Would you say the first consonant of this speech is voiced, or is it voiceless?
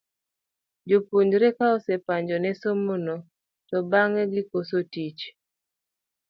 voiced